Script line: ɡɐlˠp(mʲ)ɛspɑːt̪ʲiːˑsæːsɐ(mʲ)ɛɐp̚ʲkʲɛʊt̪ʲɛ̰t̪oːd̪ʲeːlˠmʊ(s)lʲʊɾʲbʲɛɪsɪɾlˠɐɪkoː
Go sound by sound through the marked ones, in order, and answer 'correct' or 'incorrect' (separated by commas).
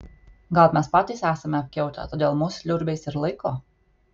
correct, correct, correct